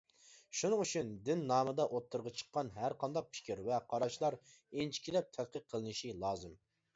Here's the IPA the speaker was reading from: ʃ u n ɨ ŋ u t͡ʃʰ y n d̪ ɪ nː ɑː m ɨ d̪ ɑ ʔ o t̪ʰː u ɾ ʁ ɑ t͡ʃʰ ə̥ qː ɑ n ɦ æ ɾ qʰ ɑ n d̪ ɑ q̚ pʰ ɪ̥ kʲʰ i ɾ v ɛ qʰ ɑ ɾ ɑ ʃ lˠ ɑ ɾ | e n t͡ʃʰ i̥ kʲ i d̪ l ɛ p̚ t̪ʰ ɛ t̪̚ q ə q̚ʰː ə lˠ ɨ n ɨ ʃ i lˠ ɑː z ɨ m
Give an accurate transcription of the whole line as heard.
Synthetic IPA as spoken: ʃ u n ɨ ŋ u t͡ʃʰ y n d̪ ɪ nː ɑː m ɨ d̪ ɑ ʔ o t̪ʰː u ɾ ʁ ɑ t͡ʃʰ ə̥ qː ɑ n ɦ æ ɾ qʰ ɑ n d̪ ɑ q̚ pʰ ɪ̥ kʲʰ i ɾ v ɛ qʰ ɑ ɾ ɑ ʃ lˠ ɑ ɾ | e n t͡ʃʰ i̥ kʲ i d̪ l ɛ p̚ t̪ʰ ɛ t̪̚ q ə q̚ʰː ə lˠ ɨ n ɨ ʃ i lˠ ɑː z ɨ m